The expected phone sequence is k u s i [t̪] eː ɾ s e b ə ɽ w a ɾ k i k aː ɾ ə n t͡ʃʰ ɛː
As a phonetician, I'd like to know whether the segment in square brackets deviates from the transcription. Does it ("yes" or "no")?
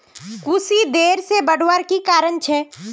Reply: yes